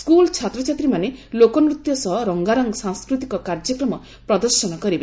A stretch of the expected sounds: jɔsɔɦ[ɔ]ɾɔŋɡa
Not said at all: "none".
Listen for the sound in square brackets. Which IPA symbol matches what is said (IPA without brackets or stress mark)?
ɔ